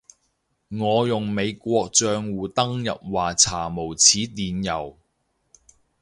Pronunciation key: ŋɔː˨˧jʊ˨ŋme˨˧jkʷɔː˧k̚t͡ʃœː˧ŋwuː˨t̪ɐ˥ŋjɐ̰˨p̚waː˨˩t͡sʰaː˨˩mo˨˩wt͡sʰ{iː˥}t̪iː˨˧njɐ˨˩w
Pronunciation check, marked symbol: incorrect: iː˨˥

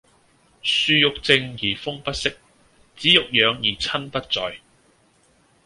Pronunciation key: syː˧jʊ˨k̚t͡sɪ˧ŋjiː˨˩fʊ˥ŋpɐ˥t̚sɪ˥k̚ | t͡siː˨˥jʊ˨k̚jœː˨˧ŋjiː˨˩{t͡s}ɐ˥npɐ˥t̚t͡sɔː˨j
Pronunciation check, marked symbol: incorrect: t͡sʰ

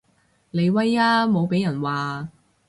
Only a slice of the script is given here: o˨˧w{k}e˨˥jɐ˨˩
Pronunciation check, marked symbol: incorrect: p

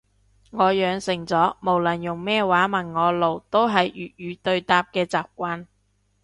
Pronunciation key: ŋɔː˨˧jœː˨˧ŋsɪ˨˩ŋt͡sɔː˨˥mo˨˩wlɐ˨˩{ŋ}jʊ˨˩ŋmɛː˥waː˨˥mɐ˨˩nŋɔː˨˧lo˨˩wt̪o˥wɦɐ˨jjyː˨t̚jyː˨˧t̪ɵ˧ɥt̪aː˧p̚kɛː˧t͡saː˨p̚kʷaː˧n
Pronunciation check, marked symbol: incorrect: n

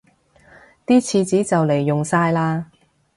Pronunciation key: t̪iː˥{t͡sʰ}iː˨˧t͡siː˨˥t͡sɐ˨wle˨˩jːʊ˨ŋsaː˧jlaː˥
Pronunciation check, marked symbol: correct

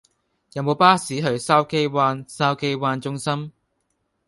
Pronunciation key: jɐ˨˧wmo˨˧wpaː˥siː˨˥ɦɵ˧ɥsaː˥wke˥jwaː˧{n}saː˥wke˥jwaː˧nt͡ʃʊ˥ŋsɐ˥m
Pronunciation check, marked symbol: correct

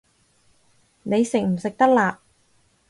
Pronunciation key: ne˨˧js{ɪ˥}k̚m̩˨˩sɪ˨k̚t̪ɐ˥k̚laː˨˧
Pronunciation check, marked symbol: incorrect: ɪ˨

